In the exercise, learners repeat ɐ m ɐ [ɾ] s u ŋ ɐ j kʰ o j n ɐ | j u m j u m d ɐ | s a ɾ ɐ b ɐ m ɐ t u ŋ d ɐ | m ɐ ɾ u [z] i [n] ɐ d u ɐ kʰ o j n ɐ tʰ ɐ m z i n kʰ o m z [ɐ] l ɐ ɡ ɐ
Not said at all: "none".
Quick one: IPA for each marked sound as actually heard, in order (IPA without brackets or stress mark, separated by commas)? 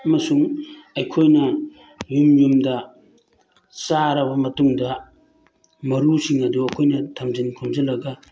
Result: none, s, ŋ, ɐ